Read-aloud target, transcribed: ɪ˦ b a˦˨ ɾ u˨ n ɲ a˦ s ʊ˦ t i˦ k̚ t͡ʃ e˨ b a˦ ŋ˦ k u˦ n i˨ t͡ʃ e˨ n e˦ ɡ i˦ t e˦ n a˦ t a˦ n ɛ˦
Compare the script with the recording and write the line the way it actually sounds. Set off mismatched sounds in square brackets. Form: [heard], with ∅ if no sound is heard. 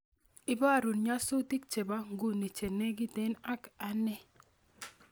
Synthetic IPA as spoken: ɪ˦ b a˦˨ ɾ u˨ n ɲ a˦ s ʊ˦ t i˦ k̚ t͡ʃ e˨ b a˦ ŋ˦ [ɡ] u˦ n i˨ t͡ʃ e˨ n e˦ ɡ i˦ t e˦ n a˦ [k] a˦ n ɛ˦

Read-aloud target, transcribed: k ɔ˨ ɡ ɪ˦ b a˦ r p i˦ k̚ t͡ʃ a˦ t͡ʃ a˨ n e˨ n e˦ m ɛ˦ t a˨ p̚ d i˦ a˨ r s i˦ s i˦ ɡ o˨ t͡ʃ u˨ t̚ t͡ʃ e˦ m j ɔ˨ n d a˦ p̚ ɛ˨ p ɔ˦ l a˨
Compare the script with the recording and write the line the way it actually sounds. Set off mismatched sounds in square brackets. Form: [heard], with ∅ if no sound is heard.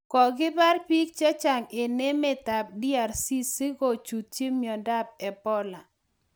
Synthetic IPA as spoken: k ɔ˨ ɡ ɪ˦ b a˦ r p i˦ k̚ t͡ʃ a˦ t͡ʃ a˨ [ŋ] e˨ n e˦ m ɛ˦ t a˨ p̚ d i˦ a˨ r s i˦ s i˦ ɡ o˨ t͡ʃ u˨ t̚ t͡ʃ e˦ m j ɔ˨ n d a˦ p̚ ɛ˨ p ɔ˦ l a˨

